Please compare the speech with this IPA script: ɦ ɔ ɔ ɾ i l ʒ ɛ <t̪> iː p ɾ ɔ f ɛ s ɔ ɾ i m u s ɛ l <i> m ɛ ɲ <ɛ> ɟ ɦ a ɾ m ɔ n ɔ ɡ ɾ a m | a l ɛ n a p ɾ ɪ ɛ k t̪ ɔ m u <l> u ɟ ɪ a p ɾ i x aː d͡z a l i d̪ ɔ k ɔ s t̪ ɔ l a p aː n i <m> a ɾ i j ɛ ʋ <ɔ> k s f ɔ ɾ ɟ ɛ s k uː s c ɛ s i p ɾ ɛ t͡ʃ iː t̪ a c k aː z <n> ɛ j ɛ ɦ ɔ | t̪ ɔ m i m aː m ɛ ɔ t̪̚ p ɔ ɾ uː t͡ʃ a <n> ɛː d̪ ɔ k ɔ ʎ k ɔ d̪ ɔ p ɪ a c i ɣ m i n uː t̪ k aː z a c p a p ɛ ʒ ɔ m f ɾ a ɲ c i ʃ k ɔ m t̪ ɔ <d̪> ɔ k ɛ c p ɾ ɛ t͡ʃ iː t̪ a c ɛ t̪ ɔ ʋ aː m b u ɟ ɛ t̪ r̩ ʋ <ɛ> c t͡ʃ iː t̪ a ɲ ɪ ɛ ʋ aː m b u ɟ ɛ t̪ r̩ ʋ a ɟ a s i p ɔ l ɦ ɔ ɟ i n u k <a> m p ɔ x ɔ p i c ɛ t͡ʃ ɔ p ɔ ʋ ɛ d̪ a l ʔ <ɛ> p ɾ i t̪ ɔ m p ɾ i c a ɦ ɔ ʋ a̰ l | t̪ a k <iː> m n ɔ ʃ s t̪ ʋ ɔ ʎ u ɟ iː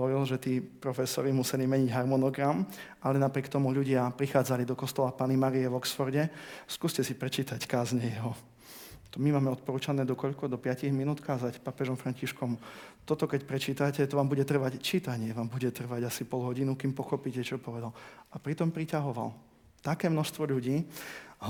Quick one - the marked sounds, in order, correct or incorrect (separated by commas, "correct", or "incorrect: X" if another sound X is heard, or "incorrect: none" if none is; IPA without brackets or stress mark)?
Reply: correct, correct, incorrect: i, incorrect: ʎ, correct, correct, incorrect: ɲ, correct, incorrect: t̪, incorrect: a, incorrect: i, incorrect: a, incorrect: ɛː